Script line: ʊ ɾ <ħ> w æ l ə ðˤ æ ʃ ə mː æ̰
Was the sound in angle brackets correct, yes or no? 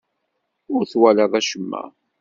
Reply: no